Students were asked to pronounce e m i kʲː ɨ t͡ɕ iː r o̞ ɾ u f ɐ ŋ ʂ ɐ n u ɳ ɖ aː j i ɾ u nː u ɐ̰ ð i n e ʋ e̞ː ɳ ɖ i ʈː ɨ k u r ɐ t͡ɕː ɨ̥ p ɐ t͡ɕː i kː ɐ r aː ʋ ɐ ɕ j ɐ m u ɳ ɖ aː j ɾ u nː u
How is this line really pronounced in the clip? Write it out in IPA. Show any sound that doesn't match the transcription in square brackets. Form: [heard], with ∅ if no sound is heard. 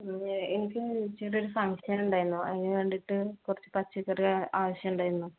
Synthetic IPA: e [n] i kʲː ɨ t͡ɕ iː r o̞ ɾ u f ɐ ŋ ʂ ɐ n u ɳ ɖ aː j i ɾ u nː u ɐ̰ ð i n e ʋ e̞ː ɳ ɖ i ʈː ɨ k u r ɐ t͡ɕː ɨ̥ p ɐ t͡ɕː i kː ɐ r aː ʋ ɐ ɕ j ɐ m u ɳ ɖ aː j ɾ u nː u